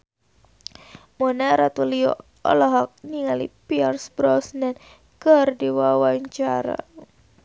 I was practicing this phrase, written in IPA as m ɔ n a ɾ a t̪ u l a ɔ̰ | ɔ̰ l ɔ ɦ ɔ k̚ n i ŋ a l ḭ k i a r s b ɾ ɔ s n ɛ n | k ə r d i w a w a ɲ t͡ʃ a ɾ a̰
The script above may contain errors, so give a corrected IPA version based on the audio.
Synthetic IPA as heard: m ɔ n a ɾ a t̪ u l i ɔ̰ | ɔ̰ l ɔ ɦ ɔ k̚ n i ŋ a l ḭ p i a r s b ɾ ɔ s n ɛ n | k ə r d i w a w a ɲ t͡ʃ a ɾ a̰